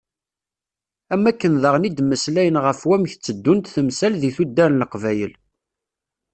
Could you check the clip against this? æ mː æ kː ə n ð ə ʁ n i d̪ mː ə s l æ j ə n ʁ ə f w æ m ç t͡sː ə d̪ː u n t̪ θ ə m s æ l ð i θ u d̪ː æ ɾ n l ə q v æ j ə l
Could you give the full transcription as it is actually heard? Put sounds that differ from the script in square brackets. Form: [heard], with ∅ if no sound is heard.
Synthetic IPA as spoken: æ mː æ kː ə n ð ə ʁ n i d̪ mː ə s l æ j ə n ʁ ə f w æ m ç t͡sː ə d̪ː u n t̪ θ ə m s æ l ð i θ u d̪ː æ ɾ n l ə q v æ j ə l

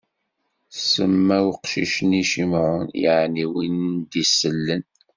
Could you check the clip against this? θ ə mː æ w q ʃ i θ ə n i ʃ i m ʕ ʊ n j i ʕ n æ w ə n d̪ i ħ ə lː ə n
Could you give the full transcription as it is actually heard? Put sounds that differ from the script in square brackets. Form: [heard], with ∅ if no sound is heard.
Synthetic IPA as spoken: [s] ə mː æ w q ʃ i [ʃ] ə n i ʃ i m ʕ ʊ n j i ʕ n [i] w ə n d̪ i [s] ə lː ə n

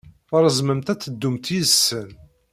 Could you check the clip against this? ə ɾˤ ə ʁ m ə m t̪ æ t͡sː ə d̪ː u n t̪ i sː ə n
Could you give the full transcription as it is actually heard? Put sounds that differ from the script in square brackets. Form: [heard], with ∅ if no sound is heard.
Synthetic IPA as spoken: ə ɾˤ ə [z] m ə m t̪ æ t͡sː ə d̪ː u [m] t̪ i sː ə n

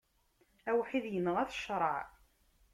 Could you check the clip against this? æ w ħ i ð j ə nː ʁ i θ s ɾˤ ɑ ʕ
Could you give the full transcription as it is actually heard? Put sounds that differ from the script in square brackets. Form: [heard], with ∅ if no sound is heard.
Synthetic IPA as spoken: æ w ħ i ð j ə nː ʁ [æ] θ [ʃ] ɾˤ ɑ ʕ

